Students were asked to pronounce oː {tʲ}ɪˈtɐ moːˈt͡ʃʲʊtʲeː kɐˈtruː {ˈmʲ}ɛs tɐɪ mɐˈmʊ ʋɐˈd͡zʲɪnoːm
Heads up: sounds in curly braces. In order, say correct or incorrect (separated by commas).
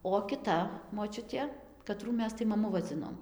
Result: incorrect, correct